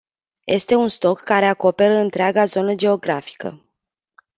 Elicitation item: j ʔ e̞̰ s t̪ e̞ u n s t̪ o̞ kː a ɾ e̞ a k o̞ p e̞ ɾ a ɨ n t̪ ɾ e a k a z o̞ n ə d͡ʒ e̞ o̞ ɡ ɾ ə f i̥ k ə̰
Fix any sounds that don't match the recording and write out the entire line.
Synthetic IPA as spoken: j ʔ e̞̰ s t̪ e̞ u n s t̪ o̞ kː a ɾ e̞ a k o̞ p e̞ ɾ ə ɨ n t̪ ɾ e a ɡ a z o̞ n ə d͡ʒ e̞ o̞ ɡ ɾ a f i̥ k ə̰